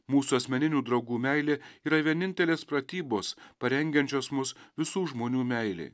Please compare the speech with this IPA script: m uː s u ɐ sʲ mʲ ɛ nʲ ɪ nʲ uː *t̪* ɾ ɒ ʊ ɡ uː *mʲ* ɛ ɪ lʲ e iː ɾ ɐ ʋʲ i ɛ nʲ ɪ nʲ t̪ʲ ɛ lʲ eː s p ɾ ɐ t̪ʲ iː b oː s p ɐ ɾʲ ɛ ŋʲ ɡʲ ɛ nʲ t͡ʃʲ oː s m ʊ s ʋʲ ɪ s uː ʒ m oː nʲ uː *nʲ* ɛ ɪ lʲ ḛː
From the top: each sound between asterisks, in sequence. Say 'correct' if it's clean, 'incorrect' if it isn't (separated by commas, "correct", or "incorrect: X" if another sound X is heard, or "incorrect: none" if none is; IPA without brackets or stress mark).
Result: incorrect: d̪, correct, incorrect: mʲ